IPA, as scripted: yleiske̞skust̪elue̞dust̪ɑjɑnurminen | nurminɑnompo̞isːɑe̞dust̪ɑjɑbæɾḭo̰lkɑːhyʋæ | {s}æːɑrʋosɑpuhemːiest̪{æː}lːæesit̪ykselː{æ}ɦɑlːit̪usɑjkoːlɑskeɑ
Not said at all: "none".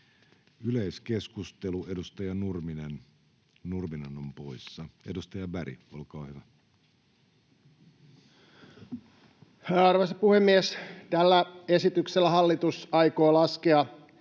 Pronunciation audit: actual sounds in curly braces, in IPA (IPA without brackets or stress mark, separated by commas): h, æ, æ